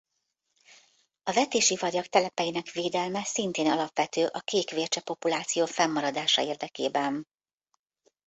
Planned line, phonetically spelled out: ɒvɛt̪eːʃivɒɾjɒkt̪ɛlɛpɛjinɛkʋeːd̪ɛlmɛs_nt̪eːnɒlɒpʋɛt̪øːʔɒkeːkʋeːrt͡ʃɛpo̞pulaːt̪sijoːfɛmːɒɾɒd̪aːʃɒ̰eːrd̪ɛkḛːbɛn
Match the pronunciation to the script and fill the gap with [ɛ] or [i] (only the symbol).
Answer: i